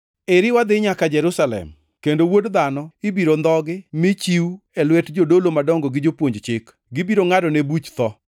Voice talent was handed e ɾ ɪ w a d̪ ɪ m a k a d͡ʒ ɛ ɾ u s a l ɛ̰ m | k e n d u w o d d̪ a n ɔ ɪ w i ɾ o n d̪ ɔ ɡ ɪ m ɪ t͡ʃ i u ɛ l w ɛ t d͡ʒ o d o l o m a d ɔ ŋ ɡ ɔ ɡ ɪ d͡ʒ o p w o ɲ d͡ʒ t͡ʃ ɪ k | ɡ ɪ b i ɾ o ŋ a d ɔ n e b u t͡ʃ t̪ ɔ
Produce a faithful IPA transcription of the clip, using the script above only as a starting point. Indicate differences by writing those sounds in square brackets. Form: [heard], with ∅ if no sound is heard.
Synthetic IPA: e ɾ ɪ w a d̪ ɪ [ɲ] a k a d͡ʒ ɛ ɾ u s a l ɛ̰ m | k e n d [o] w o d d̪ a n ɔ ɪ [b] i ɾ o n d̪ ɔ ɡ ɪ m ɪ t͡ʃ i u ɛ l w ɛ t d͡ʒ o d o l o m a d ɔ ŋ ɡ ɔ ɡ ɪ d͡ʒ o p w o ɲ d͡ʒ t͡ʃ ɪ k | ɡ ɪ b i ɾ o ŋ a d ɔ n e b u t͡ʃ t̪ ɔ